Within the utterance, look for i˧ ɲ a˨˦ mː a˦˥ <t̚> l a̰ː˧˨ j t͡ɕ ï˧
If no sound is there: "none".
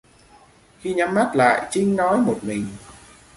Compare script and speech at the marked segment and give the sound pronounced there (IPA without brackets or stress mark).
t̚